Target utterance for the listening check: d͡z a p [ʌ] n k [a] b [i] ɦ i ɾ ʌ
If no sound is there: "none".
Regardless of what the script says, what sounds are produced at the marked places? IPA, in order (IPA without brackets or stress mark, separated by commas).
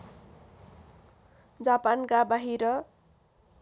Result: a, a, a